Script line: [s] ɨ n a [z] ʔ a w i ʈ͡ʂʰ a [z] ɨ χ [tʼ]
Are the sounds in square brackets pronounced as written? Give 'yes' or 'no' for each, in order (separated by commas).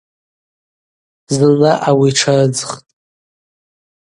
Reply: no, no, no, yes